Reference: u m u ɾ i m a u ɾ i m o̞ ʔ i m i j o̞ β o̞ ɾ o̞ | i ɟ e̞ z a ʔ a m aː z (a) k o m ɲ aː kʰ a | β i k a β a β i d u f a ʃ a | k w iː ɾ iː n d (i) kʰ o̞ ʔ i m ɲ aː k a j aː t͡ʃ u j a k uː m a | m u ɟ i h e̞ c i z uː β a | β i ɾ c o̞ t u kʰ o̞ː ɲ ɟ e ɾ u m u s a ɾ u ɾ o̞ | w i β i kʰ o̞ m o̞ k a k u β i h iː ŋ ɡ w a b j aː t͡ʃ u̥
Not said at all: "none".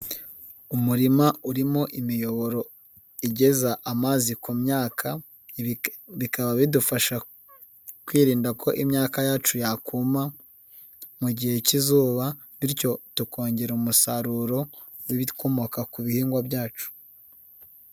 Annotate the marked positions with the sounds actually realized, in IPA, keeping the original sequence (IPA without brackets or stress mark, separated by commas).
i, a